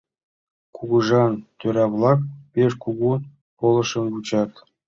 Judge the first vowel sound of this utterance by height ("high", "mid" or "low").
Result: high